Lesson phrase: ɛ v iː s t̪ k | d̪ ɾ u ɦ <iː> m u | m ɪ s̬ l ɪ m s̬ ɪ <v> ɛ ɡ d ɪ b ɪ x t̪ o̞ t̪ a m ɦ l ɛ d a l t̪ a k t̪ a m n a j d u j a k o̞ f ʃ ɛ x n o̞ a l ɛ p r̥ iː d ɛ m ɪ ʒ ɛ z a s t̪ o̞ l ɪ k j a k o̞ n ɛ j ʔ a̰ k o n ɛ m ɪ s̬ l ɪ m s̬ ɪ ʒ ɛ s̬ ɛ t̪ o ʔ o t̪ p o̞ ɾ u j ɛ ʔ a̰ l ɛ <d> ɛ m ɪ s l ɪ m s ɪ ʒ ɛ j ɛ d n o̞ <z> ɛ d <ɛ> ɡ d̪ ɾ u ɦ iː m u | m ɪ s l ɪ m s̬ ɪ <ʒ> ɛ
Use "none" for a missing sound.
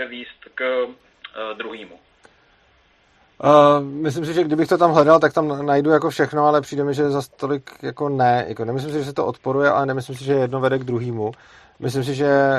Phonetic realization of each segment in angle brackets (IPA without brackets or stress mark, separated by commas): iː, ʒ, n, v, ɛ, ʒ